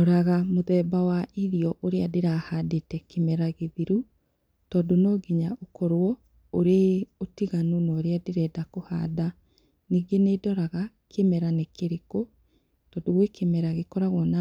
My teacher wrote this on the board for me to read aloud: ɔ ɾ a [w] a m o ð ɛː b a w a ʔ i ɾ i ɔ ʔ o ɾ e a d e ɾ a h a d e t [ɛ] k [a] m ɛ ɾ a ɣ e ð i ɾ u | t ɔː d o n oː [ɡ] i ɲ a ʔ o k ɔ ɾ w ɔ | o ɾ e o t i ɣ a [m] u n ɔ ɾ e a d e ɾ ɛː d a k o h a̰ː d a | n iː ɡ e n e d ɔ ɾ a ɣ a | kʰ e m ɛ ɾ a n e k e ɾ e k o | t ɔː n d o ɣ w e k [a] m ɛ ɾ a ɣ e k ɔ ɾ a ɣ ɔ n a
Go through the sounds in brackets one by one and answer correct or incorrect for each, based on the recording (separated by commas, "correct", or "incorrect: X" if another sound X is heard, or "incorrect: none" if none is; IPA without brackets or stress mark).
incorrect: ɣ, correct, incorrect: e, correct, incorrect: n, incorrect: e